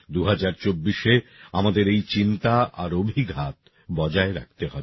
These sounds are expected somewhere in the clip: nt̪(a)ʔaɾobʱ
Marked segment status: correct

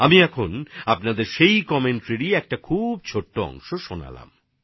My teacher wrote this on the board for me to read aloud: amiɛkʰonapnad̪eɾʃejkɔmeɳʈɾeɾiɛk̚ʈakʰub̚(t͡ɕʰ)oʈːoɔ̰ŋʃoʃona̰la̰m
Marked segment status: correct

